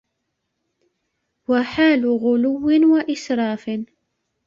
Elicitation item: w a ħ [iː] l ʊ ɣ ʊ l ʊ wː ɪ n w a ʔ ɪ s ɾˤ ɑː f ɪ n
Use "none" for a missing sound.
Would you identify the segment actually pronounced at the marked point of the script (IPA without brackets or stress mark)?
aː